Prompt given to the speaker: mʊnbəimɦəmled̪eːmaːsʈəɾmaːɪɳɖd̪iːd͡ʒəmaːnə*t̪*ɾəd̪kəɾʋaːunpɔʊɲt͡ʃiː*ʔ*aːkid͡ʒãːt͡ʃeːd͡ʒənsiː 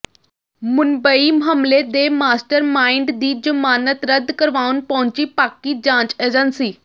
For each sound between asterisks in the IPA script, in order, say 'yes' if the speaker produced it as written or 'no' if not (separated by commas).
yes, no